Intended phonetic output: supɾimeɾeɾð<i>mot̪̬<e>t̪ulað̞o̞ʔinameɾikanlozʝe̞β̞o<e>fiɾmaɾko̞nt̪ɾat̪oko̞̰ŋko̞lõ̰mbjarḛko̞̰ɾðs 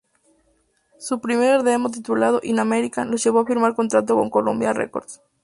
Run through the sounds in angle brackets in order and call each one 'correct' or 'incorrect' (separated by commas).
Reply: incorrect, incorrect, incorrect